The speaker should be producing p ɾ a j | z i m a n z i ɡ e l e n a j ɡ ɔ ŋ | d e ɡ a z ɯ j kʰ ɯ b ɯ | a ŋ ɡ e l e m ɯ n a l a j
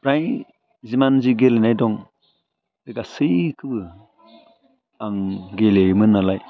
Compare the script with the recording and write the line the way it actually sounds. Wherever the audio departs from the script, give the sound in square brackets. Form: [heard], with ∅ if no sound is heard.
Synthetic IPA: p ɾ a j | z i m a n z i ɡ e l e n a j [d] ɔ ŋ | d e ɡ a [s] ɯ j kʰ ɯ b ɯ | a ŋ ɡ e l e m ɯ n a l a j

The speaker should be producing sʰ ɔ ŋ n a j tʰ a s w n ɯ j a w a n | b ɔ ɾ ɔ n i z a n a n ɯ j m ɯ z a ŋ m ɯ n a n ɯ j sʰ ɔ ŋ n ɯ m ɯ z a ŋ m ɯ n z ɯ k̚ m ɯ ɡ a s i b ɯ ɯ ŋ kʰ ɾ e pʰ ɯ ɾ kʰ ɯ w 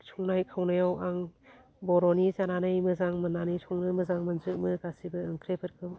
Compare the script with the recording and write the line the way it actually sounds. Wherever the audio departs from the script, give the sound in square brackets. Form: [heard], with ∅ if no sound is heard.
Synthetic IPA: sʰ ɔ ŋ n a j [kʰ] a [∅] w n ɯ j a w a [ŋ] | b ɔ ɾ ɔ n i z a n a n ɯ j m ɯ z a ŋ m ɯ n a n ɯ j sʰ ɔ ŋ n ɯ m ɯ z a ŋ m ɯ n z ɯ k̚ m ɯ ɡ a s i b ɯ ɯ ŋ kʰ ɾ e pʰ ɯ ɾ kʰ ɯ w

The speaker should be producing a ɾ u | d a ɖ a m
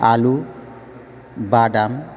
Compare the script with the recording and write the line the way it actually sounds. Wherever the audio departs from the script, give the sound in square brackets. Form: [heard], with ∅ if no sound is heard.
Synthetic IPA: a [l] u | [b] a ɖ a m

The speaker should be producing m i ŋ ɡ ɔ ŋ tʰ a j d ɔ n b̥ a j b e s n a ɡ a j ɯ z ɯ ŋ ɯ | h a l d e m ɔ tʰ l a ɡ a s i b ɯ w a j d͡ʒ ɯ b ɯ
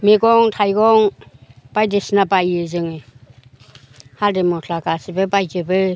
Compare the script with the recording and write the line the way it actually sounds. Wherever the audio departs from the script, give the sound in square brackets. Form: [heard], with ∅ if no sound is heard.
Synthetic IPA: m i [∅] ɡ ɔ ŋ tʰ a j [ɡ] ɔ [ŋ] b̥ a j [d] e s n a [b] a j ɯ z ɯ ŋ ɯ | h a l d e m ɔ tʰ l a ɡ a s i b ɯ [b] a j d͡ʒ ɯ b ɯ

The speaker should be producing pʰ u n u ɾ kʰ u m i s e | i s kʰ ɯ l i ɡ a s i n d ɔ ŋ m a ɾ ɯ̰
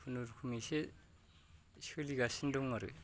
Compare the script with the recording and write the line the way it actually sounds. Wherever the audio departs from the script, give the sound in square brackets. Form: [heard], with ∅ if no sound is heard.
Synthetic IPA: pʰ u n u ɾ kʰ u m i s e | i s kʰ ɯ l i ɡ a s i n d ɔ ŋ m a ɾ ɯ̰

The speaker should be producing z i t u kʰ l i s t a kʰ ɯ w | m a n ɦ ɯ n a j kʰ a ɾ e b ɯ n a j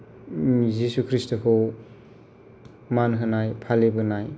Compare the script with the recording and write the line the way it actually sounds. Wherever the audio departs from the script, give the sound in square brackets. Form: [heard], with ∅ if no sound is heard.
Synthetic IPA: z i [s] u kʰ [ɾ] i s t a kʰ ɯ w | m a n ɦ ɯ n a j [pʰ] a [l] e b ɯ n a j

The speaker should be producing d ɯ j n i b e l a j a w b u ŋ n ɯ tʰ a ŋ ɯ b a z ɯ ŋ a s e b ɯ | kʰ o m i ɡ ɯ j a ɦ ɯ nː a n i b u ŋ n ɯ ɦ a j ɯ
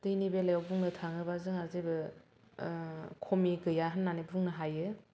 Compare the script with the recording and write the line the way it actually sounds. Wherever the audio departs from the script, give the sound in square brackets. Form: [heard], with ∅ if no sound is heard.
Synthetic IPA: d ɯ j n i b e l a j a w b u ŋ n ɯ tʰ a ŋ ɯ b a z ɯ ŋ a [z] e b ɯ | kʰ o m i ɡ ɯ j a ɦ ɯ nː a n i b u ŋ n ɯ ɦ a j ɯ

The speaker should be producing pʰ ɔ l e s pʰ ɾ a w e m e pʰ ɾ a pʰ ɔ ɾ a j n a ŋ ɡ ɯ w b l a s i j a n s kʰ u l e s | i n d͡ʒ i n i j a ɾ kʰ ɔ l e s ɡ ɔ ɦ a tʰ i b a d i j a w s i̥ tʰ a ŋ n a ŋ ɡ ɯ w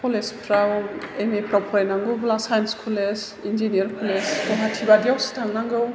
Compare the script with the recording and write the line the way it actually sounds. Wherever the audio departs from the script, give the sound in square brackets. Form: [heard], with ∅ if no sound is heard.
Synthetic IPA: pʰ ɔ l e s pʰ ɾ a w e m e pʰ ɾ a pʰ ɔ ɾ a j n a ŋ ɡ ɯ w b l a s [a] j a n s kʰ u l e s | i n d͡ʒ i n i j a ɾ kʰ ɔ l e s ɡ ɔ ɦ a tʰ i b a d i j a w s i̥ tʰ a ŋ n a ŋ ɡ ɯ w

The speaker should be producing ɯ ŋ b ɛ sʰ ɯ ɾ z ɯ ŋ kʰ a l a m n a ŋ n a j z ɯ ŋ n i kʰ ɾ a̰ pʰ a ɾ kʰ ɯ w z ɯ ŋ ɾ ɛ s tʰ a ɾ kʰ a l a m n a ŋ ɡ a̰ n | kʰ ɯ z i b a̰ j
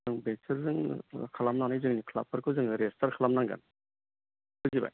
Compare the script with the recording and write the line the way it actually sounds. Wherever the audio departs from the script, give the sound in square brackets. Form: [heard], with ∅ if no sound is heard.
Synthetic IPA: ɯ ŋ b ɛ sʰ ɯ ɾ z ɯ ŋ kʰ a l a m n a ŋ n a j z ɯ ŋ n i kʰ [l] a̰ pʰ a ɾ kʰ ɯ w z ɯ ŋ ɾ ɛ s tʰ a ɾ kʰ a l a m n a ŋ ɡ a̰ n | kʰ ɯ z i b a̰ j

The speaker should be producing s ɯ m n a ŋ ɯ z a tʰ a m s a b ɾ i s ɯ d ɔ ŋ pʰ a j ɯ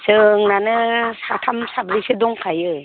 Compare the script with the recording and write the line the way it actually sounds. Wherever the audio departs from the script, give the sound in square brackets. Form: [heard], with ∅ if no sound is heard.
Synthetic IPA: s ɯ [ŋ] n a [n] ɯ [s] a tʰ a m s a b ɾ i s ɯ d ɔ ŋ [kʰ] a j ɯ

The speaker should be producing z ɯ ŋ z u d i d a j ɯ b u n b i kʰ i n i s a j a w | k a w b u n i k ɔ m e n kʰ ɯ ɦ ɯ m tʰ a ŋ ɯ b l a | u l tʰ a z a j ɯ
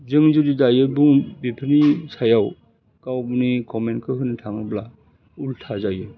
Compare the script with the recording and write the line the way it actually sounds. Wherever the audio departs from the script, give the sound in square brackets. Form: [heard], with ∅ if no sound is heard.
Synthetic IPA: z ɯ ŋ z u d i d a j ɯ b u [ŋ] b i [pʰ] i n i s a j a w | k a w b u n i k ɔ m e n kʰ ɯ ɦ ɯ [n] tʰ a ŋ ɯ b l a | u l tʰ a z a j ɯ

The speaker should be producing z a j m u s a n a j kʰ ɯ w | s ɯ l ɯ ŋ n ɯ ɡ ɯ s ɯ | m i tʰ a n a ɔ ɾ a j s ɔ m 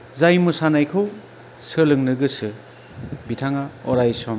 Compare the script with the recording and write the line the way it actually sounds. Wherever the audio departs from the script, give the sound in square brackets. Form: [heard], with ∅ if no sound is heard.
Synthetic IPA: z a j m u s a n a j kʰ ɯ w | s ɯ l ɯ ŋ n ɯ ɡ ɯ s ɯ | [b] i tʰ a [ŋ] a ɔ ɾ a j s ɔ m

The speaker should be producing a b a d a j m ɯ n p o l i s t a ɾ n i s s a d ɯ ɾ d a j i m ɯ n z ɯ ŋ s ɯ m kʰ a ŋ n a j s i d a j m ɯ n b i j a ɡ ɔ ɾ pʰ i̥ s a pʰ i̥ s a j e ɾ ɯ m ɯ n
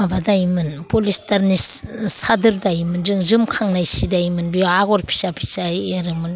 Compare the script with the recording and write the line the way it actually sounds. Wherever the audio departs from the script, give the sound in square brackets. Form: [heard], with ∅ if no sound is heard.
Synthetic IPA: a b a d a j m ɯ n p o l i s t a ɾ n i s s a d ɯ ɾ d a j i m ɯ n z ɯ ŋ [z] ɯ m kʰ a ŋ n a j s i d a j m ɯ n b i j a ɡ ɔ ɾ pʰ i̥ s a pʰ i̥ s a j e ɾ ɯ m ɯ n

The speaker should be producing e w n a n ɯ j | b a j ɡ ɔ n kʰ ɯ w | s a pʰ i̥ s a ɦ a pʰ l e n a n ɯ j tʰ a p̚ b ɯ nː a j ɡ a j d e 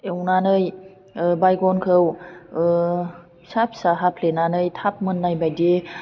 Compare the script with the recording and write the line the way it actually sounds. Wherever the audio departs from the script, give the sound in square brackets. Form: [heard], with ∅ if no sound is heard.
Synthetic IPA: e w n a n ɯ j | b a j ɡ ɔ n kʰ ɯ w | s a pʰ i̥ s a ɦ a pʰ l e n a n ɯ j tʰ a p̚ [m] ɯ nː a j [b] a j d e

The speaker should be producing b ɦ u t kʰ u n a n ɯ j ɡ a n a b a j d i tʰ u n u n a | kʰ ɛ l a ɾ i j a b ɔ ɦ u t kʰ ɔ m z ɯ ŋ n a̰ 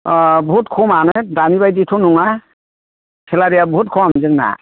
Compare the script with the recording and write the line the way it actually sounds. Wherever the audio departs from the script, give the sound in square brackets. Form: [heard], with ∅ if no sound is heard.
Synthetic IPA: b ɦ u t kʰ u [m] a n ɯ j [d] a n [i] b a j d i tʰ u n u [ŋ] a | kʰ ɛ l a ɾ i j a b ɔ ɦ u t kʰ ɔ m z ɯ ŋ n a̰

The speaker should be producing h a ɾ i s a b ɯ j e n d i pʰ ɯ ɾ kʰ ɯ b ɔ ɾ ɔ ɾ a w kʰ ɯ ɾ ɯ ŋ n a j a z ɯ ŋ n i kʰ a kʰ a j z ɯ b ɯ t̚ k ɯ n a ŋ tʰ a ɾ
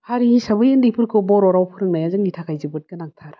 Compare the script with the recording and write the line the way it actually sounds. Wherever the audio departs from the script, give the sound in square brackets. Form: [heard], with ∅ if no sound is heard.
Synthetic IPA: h a ɾ i s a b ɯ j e n d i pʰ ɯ ɾ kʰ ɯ b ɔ ɾ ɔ ɾ a w [pʰ] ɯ ɾ ɯ ŋ n a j a z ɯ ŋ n i [tʰ] a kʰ a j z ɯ b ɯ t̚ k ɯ n a ŋ tʰ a ɾ

